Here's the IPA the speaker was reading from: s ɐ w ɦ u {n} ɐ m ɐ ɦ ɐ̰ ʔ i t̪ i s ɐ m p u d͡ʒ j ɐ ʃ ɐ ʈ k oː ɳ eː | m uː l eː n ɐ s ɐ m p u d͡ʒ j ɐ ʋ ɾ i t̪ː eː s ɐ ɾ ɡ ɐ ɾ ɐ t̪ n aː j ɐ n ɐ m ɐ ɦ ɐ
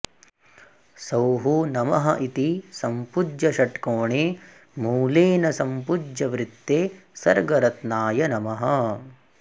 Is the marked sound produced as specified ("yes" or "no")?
yes